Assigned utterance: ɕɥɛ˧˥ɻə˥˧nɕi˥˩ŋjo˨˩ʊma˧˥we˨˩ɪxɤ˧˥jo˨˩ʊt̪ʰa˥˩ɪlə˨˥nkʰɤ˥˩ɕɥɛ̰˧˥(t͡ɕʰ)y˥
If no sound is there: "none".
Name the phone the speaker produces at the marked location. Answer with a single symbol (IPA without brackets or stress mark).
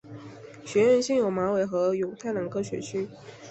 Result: t͡ɕʰ